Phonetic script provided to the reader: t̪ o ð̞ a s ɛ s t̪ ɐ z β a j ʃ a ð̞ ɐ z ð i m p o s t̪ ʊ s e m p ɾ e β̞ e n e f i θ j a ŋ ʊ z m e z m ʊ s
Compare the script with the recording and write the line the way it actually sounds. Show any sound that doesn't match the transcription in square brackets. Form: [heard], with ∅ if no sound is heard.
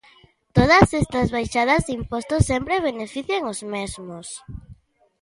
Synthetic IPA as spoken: t̪ o ð̞ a s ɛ s t̪ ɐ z β a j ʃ a ð̞ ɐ z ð i m p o s t̪ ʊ s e m p ɾ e β̞ e n e f i θ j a ŋ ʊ z m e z m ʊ s